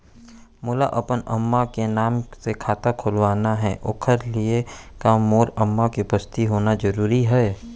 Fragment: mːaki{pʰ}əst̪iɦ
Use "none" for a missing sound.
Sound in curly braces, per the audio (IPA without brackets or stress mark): p